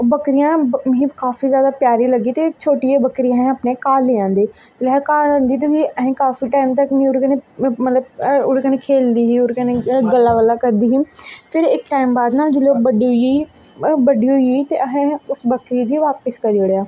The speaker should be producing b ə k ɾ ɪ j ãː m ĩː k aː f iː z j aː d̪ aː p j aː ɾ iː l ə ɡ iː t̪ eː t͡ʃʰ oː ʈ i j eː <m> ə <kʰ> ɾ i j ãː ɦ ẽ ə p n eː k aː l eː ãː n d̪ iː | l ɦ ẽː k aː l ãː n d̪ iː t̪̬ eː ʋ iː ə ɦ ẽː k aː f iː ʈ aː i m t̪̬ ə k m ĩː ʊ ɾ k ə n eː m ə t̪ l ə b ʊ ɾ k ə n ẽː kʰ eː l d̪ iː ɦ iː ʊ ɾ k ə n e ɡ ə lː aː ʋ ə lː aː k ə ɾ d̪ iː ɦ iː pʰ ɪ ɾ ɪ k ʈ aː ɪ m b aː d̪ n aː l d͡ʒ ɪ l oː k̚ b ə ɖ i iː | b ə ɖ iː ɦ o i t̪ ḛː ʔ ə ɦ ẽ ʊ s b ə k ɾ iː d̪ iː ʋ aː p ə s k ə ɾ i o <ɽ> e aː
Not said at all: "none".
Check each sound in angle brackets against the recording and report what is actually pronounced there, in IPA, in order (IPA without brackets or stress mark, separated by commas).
b, k, ɽ